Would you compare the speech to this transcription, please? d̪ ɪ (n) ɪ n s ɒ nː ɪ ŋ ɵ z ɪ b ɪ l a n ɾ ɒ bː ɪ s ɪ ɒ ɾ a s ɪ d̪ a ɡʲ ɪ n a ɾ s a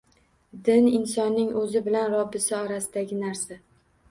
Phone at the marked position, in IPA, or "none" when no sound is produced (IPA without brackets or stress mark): n